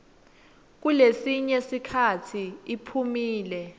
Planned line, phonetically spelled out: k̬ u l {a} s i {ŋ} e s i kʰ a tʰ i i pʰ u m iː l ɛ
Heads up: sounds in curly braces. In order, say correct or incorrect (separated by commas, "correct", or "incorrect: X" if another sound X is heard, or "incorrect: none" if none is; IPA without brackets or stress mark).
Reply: incorrect: e, incorrect: ɲ